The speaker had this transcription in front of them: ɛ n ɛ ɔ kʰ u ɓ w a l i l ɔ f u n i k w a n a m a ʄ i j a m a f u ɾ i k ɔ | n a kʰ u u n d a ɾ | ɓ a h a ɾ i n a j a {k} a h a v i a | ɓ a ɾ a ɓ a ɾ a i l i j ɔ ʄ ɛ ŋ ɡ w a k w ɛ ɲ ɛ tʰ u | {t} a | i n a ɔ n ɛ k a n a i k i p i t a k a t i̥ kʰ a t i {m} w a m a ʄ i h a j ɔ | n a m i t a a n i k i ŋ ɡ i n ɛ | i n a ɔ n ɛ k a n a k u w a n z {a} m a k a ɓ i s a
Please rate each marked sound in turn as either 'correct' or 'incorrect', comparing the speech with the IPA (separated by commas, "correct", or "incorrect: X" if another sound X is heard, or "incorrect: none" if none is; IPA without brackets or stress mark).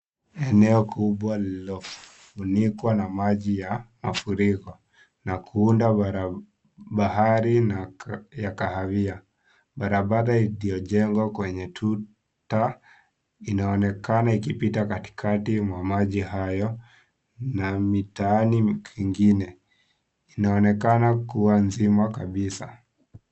correct, correct, correct, incorrect: i